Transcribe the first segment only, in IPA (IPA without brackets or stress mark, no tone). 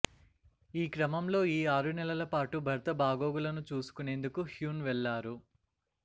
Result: iː